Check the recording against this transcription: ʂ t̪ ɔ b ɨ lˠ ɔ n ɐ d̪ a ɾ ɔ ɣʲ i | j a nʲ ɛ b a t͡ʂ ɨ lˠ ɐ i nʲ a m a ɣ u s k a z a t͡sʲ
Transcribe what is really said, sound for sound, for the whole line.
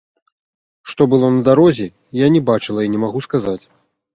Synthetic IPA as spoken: ʂ t̪ ɔ b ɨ lˠ ɔ n ɐ d̪ a ɾ ɔ zʲ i | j a nʲ ɛ b a t͡ʂ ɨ lˠ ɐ i nʲ ɛ m a ɣ u s k a z a t͡sʲ